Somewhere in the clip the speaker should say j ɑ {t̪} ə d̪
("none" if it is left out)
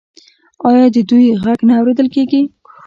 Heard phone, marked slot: d̪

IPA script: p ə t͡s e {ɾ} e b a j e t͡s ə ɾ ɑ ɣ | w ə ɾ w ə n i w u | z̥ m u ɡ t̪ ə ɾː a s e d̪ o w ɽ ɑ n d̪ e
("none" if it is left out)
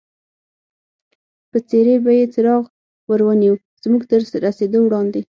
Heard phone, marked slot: ɾ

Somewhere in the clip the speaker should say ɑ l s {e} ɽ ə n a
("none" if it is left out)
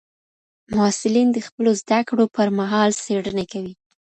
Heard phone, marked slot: e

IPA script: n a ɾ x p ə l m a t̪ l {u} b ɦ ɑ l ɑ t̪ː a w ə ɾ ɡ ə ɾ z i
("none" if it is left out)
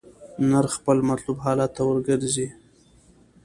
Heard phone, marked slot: u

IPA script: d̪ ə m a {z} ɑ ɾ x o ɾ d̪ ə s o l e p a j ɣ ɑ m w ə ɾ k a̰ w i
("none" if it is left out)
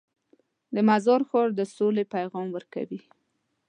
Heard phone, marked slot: z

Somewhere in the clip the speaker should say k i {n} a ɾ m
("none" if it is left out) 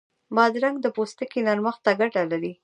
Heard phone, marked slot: n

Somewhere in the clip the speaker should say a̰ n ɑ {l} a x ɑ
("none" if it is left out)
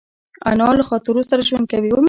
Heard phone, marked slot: l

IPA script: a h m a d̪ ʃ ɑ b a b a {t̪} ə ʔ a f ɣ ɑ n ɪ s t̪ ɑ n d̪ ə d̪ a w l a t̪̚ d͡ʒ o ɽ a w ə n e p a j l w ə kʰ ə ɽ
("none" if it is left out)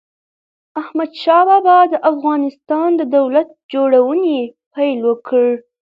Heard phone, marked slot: d̪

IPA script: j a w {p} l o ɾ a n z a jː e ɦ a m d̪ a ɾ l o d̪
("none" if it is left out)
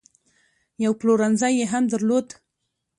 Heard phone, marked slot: p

